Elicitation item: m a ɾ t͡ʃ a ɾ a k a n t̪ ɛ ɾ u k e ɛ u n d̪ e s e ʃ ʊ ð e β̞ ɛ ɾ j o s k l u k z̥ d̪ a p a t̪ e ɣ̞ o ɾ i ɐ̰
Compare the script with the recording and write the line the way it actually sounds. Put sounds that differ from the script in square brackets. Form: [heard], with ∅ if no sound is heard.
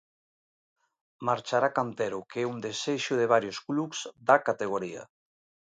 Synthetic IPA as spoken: m a ɾ t͡ʃ a ɾ a k a n t̪ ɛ ɾ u k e ɛ u n d̪ e s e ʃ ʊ ð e β̞ [a] ɾ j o s k l u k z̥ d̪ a [k] a t̪ e ɣ̞ o ɾ i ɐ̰